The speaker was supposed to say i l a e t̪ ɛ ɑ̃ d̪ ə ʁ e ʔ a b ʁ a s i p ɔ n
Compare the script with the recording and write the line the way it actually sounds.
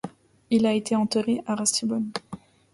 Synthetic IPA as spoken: i l a e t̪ e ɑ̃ t̪ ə ʁ e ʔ a ʁ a s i b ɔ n